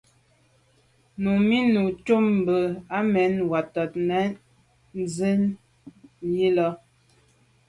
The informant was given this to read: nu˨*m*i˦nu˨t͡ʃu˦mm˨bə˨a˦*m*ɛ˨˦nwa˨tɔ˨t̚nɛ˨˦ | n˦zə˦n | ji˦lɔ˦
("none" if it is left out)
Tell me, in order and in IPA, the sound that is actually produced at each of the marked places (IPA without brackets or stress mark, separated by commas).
m, m